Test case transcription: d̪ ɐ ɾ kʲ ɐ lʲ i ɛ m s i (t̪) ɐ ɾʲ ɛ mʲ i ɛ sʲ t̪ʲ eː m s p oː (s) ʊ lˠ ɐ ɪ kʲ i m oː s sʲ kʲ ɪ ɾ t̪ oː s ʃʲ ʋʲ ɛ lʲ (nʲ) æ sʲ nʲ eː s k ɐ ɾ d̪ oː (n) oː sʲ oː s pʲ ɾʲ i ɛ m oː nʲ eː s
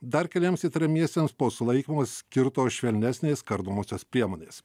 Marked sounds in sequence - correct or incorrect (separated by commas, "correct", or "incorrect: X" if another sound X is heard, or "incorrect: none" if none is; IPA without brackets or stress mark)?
correct, correct, correct, incorrect: m